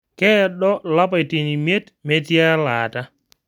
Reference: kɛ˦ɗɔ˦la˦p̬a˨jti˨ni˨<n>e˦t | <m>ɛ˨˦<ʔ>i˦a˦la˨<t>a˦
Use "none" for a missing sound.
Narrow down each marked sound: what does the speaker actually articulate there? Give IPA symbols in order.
m, m, t, t

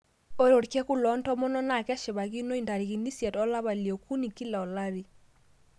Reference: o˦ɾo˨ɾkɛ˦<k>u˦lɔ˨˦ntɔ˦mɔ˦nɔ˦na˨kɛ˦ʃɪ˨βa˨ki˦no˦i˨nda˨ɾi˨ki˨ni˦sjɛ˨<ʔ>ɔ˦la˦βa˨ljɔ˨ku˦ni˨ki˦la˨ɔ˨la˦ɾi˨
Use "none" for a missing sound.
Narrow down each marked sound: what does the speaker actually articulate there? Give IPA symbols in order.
k, t

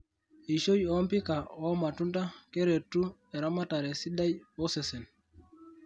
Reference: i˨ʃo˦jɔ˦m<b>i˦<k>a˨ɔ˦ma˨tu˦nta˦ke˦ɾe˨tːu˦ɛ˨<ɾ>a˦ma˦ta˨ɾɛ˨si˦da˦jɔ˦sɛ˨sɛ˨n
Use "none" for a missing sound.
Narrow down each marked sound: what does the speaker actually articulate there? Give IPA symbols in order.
p, k, ɾ

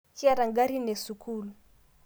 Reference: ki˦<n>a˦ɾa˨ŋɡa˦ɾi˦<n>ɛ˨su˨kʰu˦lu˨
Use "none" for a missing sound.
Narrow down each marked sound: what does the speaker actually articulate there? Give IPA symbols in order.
none, n

